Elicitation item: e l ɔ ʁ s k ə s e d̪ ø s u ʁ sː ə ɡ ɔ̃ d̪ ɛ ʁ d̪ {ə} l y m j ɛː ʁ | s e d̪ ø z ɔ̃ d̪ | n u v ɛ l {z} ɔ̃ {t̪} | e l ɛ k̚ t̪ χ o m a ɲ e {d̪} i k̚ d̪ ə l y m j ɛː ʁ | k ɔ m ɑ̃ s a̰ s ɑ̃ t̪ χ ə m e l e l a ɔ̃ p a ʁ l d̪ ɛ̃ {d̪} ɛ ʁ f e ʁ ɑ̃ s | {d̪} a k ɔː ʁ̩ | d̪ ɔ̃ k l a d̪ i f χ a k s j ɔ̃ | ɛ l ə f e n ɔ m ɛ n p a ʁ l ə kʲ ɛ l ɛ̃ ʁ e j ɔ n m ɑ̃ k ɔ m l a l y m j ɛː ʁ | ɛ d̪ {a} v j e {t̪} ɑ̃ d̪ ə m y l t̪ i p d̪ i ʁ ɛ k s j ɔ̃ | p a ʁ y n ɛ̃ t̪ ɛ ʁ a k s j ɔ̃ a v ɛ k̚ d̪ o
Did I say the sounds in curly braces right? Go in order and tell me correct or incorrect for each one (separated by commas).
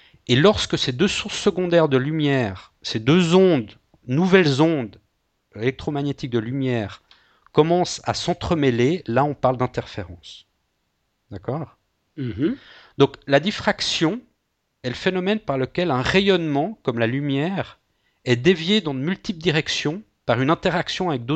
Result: correct, correct, incorrect, incorrect, incorrect, correct, incorrect, incorrect